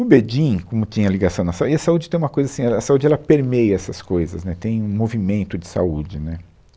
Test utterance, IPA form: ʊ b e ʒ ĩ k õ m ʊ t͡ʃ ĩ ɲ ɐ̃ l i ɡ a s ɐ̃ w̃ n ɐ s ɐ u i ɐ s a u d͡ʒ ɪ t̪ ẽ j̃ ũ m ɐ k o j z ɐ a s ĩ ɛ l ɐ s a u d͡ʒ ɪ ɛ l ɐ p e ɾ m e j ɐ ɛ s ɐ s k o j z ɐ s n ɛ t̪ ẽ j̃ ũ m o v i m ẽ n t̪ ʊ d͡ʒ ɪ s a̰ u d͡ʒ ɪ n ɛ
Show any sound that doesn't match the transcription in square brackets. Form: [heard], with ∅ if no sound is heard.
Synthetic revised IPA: ʊ b e [d͡ʒ] ĩ k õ m ʊ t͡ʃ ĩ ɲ [ɐ] l i ɡ a s ɐ̃ w̃ n ɐ s [a] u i ɐ s a u d͡ʒ ɪ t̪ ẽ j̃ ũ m ɐ k o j z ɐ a s ĩ ɛ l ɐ s a u d͡ʒ ɪ ɛ l ɐ p e ɾ m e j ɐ ɛ s ɐ s k o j z ɐ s n ɛ t̪ ẽ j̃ ũ m o v i m ẽ n t̪ ʊ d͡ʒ ɪ s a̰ u d͡ʒ ɪ n ɛ